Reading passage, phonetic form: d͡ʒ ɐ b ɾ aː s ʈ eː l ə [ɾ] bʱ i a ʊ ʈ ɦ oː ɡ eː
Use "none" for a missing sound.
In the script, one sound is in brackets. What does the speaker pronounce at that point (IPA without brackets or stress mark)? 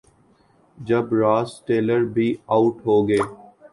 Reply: ɾ